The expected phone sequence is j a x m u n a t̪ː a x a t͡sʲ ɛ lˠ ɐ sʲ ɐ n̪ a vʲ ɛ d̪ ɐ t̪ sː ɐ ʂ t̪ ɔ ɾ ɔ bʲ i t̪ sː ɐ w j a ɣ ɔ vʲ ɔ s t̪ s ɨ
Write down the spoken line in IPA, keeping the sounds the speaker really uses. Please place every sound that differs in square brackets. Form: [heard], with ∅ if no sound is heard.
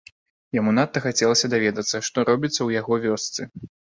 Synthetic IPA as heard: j a [∅] m u n a t̪ː [ɐ] x a t͡sʲ ɛ lˠ ɐ sʲ ɐ [d̪] a vʲ ɛ d̪ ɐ t̪ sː ɐ ʂ t̪ ɔ ɾ ɔ bʲ i t̪ sː ɐ w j a ɣ ɔ vʲ ɔ s t̪ s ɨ